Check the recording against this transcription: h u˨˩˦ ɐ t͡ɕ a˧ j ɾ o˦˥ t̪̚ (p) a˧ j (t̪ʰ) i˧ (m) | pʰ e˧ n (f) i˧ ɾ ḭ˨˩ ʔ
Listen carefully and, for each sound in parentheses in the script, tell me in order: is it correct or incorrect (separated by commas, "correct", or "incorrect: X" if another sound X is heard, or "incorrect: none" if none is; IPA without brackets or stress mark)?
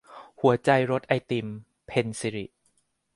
incorrect: ʔ, incorrect: t̪, correct, incorrect: s